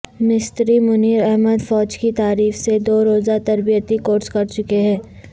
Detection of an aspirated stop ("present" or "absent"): absent